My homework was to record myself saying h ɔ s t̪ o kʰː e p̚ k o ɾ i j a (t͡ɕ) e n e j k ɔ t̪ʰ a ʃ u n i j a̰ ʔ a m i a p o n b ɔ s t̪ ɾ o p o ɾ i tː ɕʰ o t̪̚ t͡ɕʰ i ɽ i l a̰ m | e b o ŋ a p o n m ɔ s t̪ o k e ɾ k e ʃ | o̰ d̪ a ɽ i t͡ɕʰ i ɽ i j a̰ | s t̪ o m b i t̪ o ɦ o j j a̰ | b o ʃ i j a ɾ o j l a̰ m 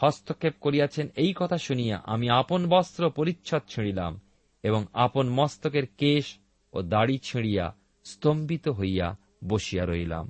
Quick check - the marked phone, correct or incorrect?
incorrect